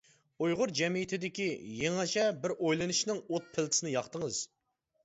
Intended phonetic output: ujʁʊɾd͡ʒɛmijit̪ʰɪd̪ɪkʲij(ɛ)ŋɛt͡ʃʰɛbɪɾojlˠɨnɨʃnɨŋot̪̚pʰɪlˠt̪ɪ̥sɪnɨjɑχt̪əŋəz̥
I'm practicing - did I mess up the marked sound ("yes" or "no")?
yes